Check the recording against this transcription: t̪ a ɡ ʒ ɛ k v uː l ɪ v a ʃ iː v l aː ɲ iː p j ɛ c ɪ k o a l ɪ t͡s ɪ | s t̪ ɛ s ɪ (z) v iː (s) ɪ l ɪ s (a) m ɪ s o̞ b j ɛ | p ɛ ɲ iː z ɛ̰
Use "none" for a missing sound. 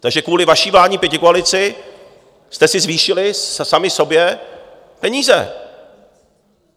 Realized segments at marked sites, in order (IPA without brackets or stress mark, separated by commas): z, ʃ, a